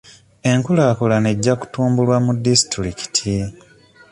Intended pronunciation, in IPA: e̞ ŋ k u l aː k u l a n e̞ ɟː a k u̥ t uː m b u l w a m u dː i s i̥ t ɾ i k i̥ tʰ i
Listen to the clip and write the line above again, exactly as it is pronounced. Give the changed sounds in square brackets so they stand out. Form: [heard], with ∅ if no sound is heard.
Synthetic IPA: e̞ ŋ k u l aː k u l a n e̞ ɟː a k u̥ t uː m b u l w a m u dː i s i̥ t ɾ i k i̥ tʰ i

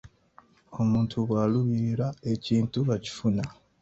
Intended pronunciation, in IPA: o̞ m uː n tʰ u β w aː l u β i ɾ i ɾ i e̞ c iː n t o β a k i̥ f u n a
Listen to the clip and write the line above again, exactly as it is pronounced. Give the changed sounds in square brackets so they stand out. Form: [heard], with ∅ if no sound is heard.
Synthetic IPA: o̞ m uː n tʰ u β w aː l u β i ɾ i ɾ [a] e̞ c iː n t [u] β a [c] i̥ f u n a

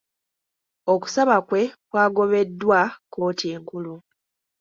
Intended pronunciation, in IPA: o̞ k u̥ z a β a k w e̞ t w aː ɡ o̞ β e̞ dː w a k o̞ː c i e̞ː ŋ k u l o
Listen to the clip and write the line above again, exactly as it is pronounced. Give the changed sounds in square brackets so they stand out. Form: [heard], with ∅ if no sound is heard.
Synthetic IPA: o̞ k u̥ [s] a β a k w e̞ [k] w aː ɡ o̞ β e̞ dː w a k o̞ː [t] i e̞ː ŋ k u l [u]

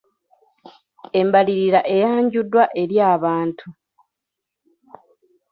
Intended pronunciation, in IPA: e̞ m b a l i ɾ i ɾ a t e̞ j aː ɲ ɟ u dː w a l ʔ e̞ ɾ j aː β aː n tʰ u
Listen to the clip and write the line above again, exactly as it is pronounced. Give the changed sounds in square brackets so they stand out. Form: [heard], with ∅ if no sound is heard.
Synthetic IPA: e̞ m b a l i ɾ i ɾ a [ʔ] e̞ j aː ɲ ɟ u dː w a [∅] ʔ e̞ ɾ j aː β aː n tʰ u

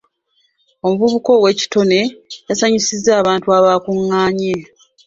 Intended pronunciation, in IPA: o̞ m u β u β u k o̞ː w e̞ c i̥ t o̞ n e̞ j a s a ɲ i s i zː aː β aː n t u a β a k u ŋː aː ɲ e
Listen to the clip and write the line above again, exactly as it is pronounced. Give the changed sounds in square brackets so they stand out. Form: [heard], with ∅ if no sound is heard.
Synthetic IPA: o̞ m u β u β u k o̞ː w e̞ c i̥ t o̞ n e̞ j a s a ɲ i s i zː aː β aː n t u a β a k u ŋː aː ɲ e

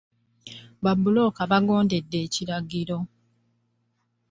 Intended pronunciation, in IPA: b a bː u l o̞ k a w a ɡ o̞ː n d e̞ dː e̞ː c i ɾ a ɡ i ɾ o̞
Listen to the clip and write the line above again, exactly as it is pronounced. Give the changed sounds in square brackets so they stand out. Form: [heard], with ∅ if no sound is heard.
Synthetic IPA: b a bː u l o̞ k a [β] a ɡ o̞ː n d e̞ dː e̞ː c i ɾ a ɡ i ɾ o̞

